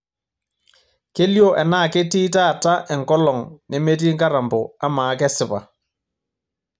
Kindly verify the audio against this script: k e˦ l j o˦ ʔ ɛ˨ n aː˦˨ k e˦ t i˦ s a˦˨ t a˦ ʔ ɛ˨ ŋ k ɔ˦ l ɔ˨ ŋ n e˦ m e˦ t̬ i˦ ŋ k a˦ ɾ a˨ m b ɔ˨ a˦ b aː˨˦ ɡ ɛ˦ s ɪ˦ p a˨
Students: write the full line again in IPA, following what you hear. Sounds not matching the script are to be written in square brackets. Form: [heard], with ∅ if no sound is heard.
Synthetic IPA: k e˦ l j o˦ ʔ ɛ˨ n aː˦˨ k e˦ t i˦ [t] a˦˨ t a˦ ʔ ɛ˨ ŋ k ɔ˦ l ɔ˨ ŋ n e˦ m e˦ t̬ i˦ ŋ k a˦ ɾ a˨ m b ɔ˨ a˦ [m] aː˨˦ [k] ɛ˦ s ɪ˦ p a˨